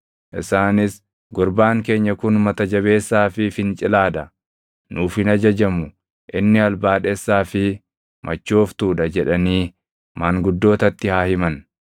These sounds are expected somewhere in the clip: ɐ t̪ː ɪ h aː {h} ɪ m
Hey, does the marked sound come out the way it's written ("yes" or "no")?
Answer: yes